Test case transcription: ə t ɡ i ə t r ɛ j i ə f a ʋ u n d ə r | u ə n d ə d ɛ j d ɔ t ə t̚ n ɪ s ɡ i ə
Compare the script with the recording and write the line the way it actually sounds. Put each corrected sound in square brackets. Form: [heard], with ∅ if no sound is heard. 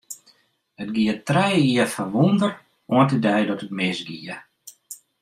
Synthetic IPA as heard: ə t ɡ i ə t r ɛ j i ə f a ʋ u n d ə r | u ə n [t] ə d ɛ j d ɔ t ə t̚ [m] ɪ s ɡ i ə